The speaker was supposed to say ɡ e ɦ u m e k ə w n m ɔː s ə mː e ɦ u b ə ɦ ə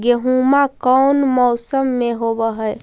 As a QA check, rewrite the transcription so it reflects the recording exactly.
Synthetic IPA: ɡ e ɦ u m a k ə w n m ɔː s ə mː e ɦ o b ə ɦ ə